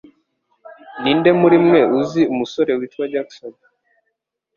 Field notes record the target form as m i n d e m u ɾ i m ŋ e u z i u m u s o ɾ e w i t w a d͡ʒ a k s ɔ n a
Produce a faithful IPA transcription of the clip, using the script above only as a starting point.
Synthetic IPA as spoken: n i n d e m u ɾ i m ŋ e u z i u m u s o ɾ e w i t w a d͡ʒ a k s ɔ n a